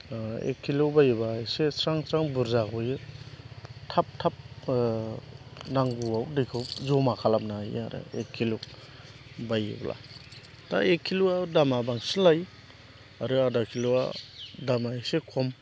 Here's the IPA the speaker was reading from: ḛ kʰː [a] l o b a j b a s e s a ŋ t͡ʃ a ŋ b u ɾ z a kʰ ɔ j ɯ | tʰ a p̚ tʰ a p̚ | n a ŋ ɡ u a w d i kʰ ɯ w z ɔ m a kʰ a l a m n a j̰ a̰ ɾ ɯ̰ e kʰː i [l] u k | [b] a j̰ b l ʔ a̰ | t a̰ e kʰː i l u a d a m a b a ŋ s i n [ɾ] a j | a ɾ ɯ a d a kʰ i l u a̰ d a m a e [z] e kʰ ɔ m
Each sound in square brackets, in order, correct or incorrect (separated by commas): incorrect, correct, correct, incorrect, incorrect